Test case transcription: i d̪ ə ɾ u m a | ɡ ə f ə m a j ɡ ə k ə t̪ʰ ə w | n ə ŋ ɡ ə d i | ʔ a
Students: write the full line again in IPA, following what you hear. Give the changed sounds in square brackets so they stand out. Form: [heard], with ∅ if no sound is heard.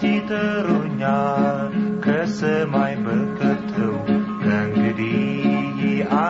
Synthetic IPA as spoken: i [t̪] ə ɾ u [ɲ] a | [k] ə [s] ə m a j [b] ə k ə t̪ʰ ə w | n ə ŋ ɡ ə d i | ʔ a